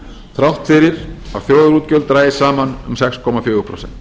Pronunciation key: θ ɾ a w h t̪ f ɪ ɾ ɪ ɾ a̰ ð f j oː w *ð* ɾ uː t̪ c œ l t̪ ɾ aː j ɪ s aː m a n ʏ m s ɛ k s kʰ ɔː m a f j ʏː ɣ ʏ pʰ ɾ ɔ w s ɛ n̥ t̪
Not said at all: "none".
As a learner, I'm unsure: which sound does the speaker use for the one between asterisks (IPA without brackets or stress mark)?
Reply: ð